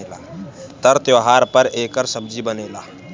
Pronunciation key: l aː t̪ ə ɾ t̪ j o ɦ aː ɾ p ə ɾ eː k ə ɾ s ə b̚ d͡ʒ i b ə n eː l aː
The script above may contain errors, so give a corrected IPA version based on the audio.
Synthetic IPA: l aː t̪ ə ɾ t̪ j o ɦ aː ɾ p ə ɾ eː k ə ɾ s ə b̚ d͡ʒ i b ə n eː l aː